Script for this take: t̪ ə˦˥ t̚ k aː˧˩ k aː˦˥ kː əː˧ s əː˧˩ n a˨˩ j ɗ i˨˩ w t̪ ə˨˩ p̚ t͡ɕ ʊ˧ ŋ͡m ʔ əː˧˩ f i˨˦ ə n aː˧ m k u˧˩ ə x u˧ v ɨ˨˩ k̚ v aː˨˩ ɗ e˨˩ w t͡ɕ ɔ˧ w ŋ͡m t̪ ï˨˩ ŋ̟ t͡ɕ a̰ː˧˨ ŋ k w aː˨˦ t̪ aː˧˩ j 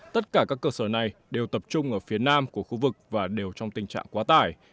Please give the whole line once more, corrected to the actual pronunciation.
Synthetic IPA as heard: t̪ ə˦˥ t̚ k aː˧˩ k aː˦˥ kː əː˧ s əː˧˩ n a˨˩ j ɗ e˨˩ w t̪ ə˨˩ p̚ t͡ɕ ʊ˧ ŋ͡m ʔ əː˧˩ f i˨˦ ə n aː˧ m k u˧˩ ə x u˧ v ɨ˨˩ k̚ v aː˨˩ ɗ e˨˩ w t͡ɕ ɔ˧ w ŋ͡m t̪ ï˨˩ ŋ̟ t͡ɕ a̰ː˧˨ ŋ k w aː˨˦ t̪ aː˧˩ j